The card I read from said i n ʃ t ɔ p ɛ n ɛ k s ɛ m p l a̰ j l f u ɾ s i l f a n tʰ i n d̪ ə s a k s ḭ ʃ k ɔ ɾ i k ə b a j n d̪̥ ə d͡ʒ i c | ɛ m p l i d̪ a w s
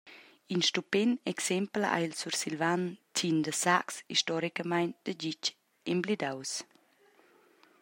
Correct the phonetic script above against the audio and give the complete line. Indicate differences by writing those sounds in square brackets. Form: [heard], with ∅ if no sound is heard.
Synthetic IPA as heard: i n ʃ t [u] p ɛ n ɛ k s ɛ m p l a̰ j l [s] u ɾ s i l [v] a n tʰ i n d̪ ə s a k s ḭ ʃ [t] ɔ ɾ i k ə [m] a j n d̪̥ ə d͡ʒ i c | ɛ m [b] l i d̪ a w s